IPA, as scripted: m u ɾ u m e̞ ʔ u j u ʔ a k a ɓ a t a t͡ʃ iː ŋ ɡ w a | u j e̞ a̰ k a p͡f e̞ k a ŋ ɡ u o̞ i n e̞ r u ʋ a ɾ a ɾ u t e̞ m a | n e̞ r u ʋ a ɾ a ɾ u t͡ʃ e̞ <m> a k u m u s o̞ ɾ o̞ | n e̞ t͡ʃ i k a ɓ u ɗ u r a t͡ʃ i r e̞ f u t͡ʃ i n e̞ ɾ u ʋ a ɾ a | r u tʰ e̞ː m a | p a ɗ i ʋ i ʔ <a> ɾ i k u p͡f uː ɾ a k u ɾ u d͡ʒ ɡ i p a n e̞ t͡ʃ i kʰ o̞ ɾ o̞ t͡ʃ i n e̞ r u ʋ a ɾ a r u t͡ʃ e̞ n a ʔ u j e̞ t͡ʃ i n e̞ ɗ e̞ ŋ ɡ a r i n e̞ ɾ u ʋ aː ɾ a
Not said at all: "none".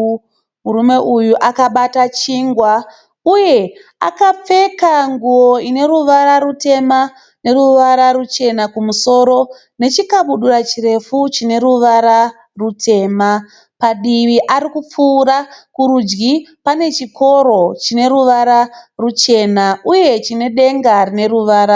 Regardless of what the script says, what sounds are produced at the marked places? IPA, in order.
n, a

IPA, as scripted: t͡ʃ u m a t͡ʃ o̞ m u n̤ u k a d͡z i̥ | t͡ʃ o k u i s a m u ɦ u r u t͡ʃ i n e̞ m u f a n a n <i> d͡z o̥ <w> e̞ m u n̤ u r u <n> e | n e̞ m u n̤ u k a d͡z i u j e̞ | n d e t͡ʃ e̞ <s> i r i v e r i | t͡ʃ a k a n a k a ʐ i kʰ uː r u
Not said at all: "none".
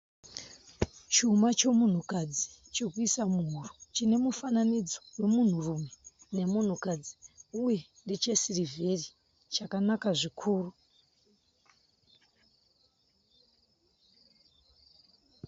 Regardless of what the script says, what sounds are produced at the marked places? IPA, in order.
i, w, m, s

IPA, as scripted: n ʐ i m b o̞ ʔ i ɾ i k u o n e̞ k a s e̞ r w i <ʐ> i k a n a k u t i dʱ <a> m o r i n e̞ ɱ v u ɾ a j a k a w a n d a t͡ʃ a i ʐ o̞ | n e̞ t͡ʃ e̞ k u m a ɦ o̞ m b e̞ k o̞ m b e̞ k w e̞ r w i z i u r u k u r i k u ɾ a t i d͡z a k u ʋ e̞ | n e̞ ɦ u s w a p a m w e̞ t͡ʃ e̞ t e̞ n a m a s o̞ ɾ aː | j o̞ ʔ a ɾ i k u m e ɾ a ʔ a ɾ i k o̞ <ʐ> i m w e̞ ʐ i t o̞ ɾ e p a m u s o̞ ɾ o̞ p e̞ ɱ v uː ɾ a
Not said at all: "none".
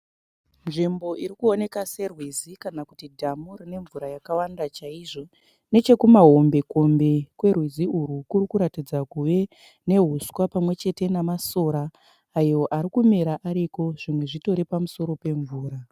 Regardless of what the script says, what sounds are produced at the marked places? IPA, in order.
z, a, ʐ

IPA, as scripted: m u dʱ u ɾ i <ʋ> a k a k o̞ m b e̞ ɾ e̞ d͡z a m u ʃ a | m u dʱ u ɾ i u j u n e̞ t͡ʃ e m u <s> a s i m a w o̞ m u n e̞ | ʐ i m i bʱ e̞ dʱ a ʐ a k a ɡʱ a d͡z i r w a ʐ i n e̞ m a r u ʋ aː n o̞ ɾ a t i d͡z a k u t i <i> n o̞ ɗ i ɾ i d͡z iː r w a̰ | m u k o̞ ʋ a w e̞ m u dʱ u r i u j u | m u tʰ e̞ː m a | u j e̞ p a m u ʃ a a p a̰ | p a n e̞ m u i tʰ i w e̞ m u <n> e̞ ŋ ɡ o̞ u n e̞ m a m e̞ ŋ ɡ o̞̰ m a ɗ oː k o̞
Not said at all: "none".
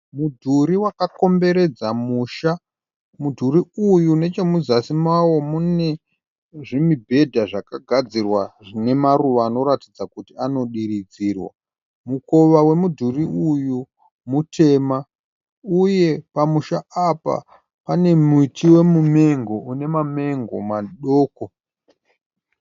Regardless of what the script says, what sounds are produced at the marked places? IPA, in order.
w, z, a, m

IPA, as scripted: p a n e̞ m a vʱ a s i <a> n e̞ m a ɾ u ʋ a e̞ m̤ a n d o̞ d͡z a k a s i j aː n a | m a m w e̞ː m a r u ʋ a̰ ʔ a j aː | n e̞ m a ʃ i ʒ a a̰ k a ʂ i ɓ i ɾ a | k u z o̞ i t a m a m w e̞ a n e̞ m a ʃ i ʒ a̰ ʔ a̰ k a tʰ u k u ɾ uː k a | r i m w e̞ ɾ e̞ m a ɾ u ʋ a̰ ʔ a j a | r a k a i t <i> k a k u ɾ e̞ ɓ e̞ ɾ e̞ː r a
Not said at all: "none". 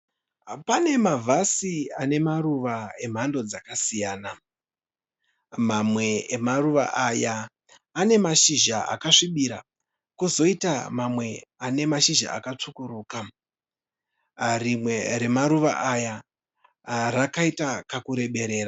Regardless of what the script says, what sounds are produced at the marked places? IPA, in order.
a, a

